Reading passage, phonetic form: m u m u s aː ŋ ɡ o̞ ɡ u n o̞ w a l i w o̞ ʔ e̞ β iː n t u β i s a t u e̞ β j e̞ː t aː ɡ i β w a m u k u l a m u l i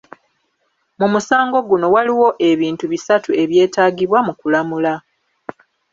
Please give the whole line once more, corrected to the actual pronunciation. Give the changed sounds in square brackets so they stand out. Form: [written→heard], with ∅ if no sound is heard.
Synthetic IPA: m u m u s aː ŋ ɡ o̞ ɡ u n o̞ w a l i w o̞ ʔ e̞ β iː n t u β i s a t u e̞ β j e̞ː t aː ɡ i β w a m u k u l a m u l [i→a]